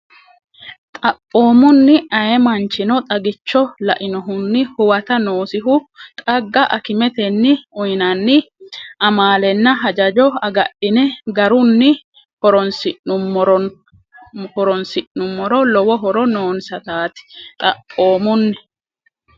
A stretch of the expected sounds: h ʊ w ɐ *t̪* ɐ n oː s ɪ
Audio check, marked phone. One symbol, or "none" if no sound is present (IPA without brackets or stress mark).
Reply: t̪